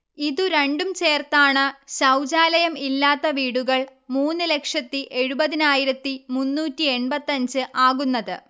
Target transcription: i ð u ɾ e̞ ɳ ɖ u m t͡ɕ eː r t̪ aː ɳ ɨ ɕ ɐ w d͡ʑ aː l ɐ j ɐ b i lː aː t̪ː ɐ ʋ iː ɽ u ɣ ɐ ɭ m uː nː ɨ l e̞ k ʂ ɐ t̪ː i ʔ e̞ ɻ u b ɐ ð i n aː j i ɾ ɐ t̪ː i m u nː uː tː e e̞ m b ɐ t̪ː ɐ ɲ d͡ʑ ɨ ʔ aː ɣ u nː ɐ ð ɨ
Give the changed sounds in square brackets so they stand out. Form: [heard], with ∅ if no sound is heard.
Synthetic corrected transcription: i ð u ɾ e̞ ɳ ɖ u m t͡ɕ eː r t̪ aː ɳ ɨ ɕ ɐ w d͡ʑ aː l ɐ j ɐ [m] i lː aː t̪ː ɐ ʋ iː ɽ u ɣ ɐ ɭ m uː nː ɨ l e̞ k ʂ ɐ t̪ː i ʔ e̞ ɻ u b ɐ ð i n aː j i ɾ ɐ t̪ː i m u nː uː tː [i] e̞ [ɳ] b ɐ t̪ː ɐ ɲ d͡ʑ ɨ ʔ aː ɣ u nː ɐ ð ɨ